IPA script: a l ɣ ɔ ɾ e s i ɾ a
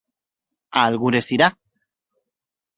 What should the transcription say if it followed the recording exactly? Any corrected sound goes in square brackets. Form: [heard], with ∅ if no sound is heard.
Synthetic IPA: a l ɣ [u] ɾ e s i ɾ a